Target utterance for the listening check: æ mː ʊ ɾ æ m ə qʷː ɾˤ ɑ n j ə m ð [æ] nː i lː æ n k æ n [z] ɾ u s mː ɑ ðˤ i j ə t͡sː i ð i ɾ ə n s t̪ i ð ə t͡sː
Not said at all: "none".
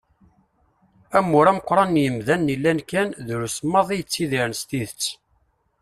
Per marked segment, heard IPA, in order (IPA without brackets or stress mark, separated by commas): æ, ð